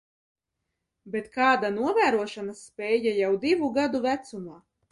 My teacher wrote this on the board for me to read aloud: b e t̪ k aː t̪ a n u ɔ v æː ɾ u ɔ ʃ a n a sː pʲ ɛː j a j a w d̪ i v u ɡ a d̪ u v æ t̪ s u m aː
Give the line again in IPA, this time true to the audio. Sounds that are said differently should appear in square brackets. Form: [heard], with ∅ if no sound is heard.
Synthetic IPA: b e t̪ k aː [d̪] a n u ɔ v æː ɾ u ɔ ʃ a n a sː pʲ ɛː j a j a w d̪ i v u ɡ a d̪ u v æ t̪ s u m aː